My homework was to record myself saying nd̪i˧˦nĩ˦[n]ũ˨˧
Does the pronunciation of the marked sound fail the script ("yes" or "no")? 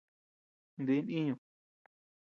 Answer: yes